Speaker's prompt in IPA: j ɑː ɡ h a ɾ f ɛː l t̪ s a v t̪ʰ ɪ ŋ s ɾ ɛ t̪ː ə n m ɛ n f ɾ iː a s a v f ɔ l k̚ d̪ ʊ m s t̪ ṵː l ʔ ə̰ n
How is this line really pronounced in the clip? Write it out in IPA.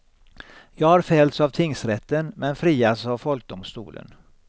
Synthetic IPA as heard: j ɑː ɡ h a ɾ f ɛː l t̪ s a v t̪ʰ ɪ ŋ s ɾ ɛ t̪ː ə n m ɛ n f ɾ iː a s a v f ɔ l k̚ d̪ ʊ m s t̪ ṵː l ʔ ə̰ n